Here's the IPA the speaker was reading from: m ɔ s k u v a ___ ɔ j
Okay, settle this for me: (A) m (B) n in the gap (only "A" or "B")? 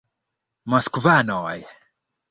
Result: B